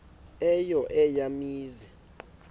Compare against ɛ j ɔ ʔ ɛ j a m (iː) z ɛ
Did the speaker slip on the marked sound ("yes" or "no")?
no